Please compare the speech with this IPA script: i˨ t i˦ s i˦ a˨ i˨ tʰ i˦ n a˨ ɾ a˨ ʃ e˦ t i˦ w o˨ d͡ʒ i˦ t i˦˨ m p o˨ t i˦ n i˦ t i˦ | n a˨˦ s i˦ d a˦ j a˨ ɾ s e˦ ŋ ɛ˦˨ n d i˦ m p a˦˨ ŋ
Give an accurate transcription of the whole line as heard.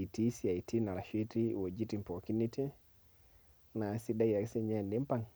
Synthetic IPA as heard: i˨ t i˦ s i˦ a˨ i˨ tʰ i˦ n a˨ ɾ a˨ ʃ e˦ t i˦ w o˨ d͡ʒ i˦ t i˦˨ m p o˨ k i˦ n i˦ t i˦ | n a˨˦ s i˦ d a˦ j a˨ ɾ s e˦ ɲ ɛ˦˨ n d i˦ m p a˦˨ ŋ